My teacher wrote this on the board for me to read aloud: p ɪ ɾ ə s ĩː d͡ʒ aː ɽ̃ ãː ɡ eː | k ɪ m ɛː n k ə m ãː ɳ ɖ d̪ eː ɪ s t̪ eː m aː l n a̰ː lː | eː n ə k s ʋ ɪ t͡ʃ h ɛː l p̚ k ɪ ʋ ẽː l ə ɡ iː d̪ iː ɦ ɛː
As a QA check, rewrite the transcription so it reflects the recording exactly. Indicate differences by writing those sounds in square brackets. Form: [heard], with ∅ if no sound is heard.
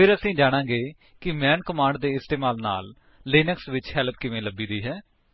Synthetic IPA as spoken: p ɪ ɾ ə s ĩː d͡ʒ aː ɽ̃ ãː ɡ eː | k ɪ m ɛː n k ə m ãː ɳ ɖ d̪ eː ɪ s t̪ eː m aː l n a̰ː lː | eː n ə k s ʋ ɪ t͡ʃ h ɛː l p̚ k ɪ ʋ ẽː l ə [b] iː d̪ iː ɦ ɛː

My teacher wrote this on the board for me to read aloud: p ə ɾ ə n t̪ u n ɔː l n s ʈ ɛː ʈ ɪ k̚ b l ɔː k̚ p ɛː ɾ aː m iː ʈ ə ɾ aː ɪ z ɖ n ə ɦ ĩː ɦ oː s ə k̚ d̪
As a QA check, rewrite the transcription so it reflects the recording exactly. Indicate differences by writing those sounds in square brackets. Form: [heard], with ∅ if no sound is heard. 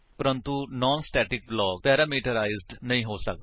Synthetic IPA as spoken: p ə ɾ ə n t̪ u n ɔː [∅] n s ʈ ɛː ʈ ɪ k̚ b l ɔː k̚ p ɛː ɾ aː m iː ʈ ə ɾ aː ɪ z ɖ n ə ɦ ĩː ɦ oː s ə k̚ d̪

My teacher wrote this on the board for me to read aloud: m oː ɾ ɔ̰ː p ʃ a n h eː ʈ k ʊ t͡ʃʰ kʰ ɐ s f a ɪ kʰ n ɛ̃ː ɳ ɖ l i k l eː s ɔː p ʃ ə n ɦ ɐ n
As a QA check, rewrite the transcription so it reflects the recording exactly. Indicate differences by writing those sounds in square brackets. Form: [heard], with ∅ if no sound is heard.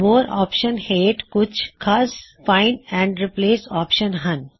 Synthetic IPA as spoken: m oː ɾ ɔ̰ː p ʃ [ə] n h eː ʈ k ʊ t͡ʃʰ kʰ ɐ s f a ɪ [∅] n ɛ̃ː ɳ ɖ [ɾ] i [p] l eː s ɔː p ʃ ə n ɦ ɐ n

